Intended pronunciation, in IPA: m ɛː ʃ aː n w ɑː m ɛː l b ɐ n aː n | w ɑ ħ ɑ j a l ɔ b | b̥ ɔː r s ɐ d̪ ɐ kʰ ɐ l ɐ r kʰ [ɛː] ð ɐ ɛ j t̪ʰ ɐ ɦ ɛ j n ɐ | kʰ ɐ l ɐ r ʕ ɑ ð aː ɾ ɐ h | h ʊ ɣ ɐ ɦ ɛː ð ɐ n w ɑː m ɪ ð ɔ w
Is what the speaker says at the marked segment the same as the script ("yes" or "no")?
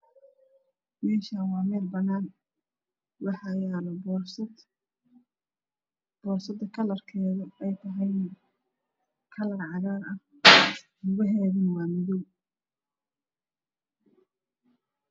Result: yes